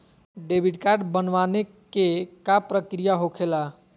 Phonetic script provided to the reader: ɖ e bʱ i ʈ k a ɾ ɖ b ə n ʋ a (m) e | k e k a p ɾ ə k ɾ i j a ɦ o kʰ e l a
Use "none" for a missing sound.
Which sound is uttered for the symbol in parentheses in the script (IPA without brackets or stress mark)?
n